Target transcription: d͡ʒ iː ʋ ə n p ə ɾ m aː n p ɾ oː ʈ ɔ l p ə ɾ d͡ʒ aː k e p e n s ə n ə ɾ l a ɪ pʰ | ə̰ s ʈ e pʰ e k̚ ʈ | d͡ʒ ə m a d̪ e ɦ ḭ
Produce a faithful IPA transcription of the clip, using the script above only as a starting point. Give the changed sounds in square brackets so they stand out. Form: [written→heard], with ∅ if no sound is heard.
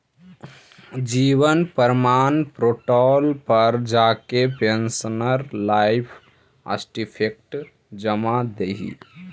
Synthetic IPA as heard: d͡ʒ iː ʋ ə n p ə ɾ m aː n p ɾ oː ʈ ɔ l p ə ɾ d͡ʒ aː k e p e n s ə n ə ɾ l a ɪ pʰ | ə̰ s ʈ [e→i] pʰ e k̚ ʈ | d͡ʒ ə m a d̪ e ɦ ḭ